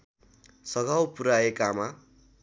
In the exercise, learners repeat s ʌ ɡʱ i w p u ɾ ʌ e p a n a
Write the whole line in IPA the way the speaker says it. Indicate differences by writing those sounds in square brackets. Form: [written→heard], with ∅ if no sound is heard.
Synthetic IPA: s ʌ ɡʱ [i→a] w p u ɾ [ʌ→a] e [p→k] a [n→m] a